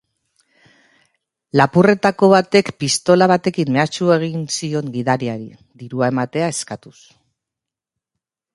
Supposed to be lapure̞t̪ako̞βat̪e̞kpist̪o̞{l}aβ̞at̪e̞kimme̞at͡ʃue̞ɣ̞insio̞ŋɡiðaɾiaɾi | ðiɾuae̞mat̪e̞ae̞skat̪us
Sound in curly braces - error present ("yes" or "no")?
no